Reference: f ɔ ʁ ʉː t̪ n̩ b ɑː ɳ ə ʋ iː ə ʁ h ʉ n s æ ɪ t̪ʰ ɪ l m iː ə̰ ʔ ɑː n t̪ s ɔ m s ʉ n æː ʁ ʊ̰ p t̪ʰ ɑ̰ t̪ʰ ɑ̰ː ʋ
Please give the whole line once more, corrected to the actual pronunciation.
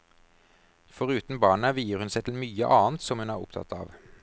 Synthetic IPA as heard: f ɔ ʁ ʉː t̪ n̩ b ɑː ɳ ə ʋ iː ə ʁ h ʉ n s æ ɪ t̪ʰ ɪ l m yː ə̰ ʔ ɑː n t̪ s ɔ m h ʉ n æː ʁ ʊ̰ p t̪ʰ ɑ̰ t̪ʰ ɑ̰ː ʋ